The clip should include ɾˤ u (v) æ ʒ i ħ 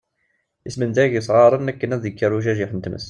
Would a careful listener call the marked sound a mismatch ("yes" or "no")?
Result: yes